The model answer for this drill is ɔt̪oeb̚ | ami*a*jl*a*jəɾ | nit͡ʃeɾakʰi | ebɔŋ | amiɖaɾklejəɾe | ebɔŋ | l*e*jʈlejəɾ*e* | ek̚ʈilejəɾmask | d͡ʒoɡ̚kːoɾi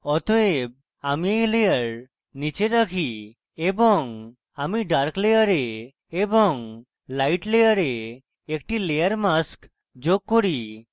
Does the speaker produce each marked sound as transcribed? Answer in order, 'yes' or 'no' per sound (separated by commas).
no, no, no, yes